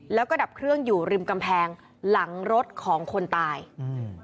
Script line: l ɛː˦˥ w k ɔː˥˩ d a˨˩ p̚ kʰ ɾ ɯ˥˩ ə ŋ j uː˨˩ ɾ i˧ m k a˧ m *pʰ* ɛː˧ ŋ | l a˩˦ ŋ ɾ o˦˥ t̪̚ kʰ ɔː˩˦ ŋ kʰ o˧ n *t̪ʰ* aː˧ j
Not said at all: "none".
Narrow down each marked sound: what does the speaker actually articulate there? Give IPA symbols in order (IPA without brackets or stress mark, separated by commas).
pʰ, t̪